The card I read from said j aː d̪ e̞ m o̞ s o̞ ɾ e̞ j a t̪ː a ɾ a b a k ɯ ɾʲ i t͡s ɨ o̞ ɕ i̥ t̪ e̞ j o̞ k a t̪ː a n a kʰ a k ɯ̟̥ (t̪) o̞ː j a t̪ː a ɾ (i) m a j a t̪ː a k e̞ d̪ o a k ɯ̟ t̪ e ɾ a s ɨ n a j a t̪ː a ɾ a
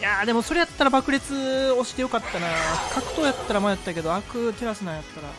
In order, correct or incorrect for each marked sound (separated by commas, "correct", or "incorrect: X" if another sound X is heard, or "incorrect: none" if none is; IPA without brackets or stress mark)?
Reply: correct, incorrect: a